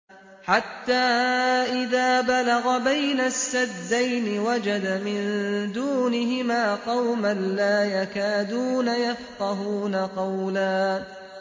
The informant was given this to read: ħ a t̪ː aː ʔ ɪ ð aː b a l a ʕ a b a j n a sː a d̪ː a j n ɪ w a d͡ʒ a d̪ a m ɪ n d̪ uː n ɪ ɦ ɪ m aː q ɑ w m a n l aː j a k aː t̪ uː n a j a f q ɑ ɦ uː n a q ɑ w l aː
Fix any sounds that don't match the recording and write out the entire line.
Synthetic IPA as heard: ħ a t̪ː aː ʔ ɪ ð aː b a l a ɣ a b a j n a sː a d̪ː a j n ɪ w a d͡ʒ a d̪ a m ɪ n d̪ uː n ɪ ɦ ɪ m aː q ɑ w m a n l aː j a k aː d̪ uː n a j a f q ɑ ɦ uː n a q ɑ w l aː

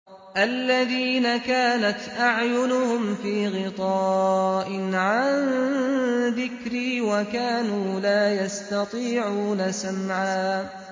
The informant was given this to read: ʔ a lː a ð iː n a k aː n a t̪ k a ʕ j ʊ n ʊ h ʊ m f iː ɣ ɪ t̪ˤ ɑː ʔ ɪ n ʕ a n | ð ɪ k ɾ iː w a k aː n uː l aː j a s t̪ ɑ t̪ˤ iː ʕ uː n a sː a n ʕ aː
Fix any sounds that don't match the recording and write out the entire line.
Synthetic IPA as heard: ʔ a lː a ð iː n a k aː n a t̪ ʔ a ʕ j ʊ n ʊ h ʊ m f iː ɣ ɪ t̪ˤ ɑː ʔ ɪ n ʕ a n | ð ɪ k ɾ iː w a k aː n uː l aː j a s t̪ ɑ t̪ˤ iː ʕ uː n a s a m ʕ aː

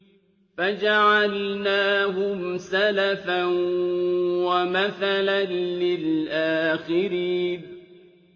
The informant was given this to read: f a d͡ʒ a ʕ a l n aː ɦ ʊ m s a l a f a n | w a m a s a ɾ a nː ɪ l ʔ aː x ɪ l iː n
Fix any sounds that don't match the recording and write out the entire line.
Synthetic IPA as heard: f a d͡ʒ a ʕ a l n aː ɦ ʊ m s a l a f a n | w a m a θ a l a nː ɪ l ʔ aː x ɪ ɾ iː n

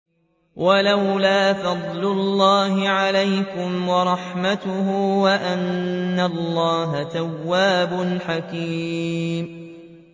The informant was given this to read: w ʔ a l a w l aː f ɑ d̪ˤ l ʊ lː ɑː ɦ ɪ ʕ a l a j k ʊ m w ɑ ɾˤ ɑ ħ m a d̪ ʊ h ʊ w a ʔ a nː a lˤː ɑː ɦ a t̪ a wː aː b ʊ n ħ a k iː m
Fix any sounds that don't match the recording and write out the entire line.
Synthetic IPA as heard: w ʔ a l a w l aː f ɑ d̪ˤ l ʊ lː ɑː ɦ ɪ ʕ a l a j k ʊ m w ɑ ɾˤ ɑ ħ m a t̪ ʊ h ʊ w a ʔ a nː a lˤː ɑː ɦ a t̪ a wː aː b ʊ n ħ a k iː m

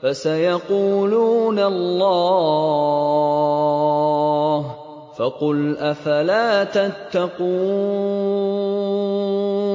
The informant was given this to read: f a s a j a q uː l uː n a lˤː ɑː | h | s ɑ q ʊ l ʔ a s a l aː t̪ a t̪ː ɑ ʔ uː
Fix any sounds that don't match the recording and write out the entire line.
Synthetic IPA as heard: f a s a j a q uː l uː n a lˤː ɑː | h | f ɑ q ʊ l ʔ a f a l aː t̪ a t̪ː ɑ q uː

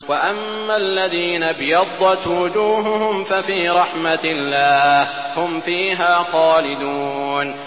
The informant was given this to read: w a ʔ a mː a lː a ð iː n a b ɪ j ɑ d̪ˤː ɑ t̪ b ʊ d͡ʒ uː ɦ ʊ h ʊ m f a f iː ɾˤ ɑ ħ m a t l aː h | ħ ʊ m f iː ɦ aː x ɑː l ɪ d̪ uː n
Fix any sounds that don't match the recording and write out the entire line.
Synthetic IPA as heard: w a ʔ a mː a lː a ð iː n a b ɪ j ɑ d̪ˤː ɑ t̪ w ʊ d͡ʒ uː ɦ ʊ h ʊ m f a f iː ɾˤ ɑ ħ m a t lː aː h | h ʊ m f iː ɦ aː x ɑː l ɪ d̪ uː n

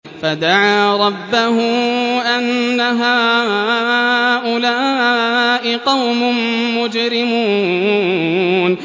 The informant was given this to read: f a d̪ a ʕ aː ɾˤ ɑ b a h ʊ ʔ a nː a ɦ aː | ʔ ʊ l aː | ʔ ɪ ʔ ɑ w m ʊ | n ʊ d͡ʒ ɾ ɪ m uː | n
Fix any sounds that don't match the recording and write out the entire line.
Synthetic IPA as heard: f a d̪ a ʕ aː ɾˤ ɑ bː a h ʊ ʔ a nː a ɦ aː | ʔ ʊ l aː | ʔ ɪ q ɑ w m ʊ | m ʊ d͡ʒ ɾ ɪ m uː | n

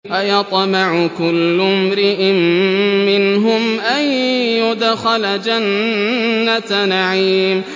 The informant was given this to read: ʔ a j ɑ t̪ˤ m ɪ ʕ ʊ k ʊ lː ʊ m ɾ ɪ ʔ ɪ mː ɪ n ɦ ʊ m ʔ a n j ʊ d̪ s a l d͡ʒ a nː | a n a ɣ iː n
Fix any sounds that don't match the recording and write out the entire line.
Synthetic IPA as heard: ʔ a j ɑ t̪ˤ m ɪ ʕ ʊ k ʊ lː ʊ m ɾ ɪ ʔ ɪ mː ɪ n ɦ ʊ m ʔ a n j ʊ d̪ x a l d͡ʒ a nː | a n a ʕ iː m

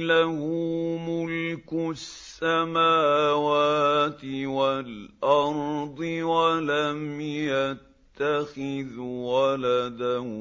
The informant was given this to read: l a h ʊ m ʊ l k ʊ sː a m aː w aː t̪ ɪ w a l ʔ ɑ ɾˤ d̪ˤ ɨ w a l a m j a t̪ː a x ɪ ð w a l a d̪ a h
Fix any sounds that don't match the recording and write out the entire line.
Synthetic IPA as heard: l a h ʊ m ʊ l k ʊ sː a m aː w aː t̪ ɪ w a l ʔ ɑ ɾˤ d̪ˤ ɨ w a l a m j a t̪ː a x ɪ ð w a l a d̪ a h

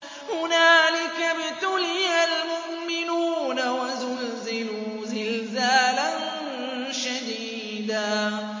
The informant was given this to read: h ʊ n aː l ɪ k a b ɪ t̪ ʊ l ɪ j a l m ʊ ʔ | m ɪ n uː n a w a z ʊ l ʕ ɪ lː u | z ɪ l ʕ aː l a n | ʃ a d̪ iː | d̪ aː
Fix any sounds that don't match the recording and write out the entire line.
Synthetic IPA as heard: h ʊ n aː l ɪ k a b ɪ t̪ ʊ l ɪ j a l m ʊ ʔ | m ɪ n uː n a w a z ʊ l z ɪ l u | z ɪ l z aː l a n | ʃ a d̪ iː | d̪ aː

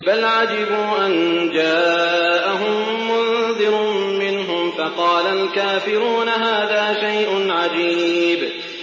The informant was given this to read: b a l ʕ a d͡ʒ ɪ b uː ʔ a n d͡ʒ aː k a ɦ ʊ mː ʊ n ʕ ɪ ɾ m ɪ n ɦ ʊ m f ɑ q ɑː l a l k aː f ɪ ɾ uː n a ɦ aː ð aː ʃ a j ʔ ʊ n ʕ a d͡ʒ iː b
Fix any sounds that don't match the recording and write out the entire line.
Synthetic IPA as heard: b a l ʕ a d͡ʒ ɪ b uː ʔ a n d͡ʒ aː ʔ a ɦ ʊ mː ʊ n ð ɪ ɾ m ɪ n ɦ ʊ m f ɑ q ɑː l a l k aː f ɪ ɾ uː n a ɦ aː ð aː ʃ a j ʔ ʊ n ʕ a d͡ʒ iː b

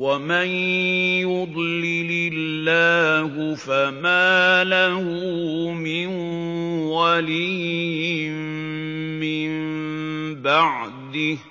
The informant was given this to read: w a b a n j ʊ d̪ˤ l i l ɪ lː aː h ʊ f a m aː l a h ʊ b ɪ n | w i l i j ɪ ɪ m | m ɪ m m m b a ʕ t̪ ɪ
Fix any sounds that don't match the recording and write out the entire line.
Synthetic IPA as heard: w a m a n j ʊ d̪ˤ l ɪ l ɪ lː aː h ʊ f a m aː l a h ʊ m ɪ n | w a l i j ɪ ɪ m | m ɪ m m m b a ʕ d̪ ɪ

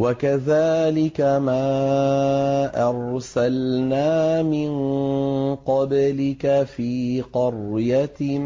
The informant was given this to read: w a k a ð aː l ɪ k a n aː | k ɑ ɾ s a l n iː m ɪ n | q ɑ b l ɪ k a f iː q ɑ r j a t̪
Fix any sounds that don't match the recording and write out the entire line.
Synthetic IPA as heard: w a k a ð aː l ɪ k a m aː | ʔ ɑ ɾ s a l n aː m ɪ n | q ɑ b l ɪ k a f iː q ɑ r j a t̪

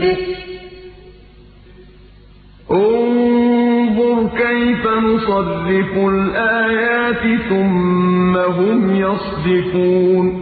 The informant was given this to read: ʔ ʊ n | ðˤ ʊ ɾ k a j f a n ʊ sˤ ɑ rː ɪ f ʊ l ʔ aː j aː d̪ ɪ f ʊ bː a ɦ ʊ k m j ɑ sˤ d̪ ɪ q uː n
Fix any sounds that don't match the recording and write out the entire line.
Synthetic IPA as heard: ʔ ʊ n | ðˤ ʊ ɾ k a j f a n ʊ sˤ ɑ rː ɪ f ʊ l ʔ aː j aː t̪ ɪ θ ʊ mː a ɦ ʊ m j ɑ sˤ d̪ ɪ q uː n

